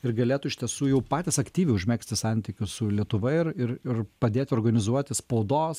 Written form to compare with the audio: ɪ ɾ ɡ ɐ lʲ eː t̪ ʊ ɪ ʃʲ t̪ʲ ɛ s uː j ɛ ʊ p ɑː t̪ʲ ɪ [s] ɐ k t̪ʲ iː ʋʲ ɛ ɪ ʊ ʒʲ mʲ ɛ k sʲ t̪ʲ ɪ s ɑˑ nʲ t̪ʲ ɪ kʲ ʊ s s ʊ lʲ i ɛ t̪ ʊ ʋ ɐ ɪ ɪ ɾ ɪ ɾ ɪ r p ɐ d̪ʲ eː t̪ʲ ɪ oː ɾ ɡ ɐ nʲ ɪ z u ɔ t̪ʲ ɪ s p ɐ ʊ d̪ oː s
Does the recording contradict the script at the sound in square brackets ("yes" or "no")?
no